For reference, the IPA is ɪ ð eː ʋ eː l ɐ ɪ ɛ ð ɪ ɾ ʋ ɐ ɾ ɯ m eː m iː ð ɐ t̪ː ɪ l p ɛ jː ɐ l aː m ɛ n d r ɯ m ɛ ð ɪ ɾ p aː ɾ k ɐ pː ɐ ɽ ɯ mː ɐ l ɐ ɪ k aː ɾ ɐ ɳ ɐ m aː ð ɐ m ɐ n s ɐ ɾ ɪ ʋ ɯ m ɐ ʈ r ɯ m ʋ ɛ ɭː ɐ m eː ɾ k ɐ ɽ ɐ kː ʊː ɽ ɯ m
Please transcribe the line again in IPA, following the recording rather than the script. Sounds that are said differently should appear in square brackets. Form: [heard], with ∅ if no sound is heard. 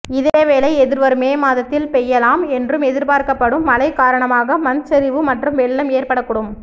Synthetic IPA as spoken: ɪ ð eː ʋ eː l ɐ ɪ ɛ ð ɪ ɾ ʋ ɐ ɾ ɯ m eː m [aː] ð ɐ t̪ː ɪ l p ɛ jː ɐ l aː m ɛ n d r ɯ m ɛ ð ɪ ɾ p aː ɾ k ɐ pː ɐ ɽ ɯ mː ɐ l ɐ ɪ k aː ɾ ɐ ɳ ɐ m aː [ɣ] ɐ m ɐ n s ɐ ɾ ɪ ʋ ɯ m ɐ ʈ r ɯ m ʋ ɛ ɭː ɐ m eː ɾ [p] ɐ ɽ ɐ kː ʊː ɽ ɯ m